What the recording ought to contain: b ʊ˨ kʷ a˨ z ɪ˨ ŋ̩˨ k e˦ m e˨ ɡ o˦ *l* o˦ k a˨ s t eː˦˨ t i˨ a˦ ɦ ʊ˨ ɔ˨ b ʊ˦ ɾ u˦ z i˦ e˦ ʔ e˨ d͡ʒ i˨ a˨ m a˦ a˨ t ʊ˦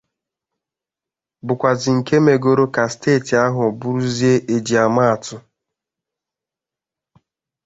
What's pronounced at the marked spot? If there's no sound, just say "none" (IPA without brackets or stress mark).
ɾ